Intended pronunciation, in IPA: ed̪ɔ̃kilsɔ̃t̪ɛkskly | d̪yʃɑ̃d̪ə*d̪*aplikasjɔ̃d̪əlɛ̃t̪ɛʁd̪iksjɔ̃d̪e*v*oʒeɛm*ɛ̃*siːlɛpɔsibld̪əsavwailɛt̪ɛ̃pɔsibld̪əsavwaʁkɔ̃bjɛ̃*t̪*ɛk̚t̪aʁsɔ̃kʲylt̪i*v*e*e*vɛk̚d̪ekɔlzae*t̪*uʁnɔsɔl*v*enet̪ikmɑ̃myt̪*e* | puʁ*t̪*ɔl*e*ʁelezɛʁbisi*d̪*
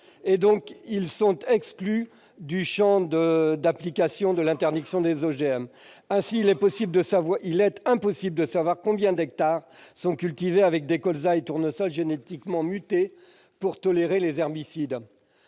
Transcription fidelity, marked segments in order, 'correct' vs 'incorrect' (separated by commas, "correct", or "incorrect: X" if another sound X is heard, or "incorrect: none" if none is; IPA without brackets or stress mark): correct, incorrect: z, correct, incorrect: d̪, correct, incorrect: a, correct, incorrect: ʒ, correct, correct, correct, correct